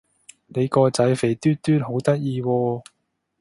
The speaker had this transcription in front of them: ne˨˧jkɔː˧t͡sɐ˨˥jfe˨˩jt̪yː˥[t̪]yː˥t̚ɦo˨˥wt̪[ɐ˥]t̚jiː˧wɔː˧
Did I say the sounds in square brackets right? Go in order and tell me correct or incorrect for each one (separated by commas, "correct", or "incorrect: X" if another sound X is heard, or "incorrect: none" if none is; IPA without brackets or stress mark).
correct, correct